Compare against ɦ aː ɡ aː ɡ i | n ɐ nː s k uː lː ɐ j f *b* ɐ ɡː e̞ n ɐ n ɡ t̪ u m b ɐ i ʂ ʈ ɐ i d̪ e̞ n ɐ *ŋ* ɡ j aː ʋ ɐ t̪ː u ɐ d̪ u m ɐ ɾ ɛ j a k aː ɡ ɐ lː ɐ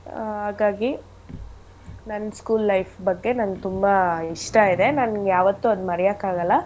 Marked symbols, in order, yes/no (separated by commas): yes, no